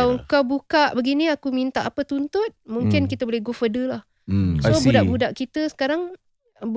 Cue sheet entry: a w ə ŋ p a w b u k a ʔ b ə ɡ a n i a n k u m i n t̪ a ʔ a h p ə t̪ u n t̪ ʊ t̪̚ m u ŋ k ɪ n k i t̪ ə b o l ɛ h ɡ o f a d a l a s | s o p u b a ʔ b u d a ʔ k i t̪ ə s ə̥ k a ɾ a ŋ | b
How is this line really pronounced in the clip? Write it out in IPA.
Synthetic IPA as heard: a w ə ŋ k a w b u k a ʔ b ə ɡ i n i a k u m i n t̪ a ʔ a p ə t̪ u n t̪ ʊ t̪̚ m u ŋ k ɪ n k i t̪ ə b o l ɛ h ɡ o f ə d ə l a h | s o b u d a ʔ b u d a ʔ k i t̪ ə s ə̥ k a ɾ a ŋ | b